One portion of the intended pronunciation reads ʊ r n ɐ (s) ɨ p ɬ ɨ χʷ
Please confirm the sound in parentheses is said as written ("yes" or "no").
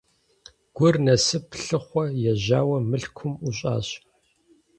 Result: yes